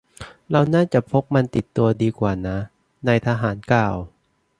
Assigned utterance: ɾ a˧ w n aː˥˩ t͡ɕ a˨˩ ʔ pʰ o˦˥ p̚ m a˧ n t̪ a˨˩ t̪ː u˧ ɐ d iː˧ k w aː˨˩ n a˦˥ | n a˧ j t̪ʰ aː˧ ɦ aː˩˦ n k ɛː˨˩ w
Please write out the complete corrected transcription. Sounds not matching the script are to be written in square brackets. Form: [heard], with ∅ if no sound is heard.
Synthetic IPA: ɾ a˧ w n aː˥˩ t͡ɕ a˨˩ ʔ pʰ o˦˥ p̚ m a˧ n t̪ [i˨˩] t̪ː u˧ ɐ d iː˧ k w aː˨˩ n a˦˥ | n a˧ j t̪ʰ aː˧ ɦ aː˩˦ n k [aː˨˩] w